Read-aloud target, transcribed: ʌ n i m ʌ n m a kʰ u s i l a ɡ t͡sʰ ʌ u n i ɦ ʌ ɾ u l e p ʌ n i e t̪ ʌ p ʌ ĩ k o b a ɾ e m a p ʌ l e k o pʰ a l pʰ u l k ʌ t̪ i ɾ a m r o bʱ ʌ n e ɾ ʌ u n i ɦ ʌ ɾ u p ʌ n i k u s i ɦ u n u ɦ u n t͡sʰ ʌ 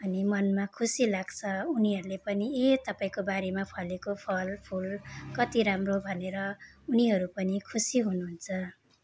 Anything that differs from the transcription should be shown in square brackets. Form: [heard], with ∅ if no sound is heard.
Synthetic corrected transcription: ʌ n i m ʌ n m a kʰ u s i l a ɡ t͡sʰ ʌ u n i ɦ ʌ ɾ u l e p ʌ n i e t̪ ʌ p [a] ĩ k o b a ɾ e m a [pʰ] ʌ l e k o pʰ [ʌ] l pʰ u l k ʌ t̪ i ɾ a m r o bʱ ʌ n e ɾ ʌ u n i ɦ ʌ ɾ u p ʌ n i [kʰ] u s i ɦ u n u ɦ u n t͡sʰ ʌ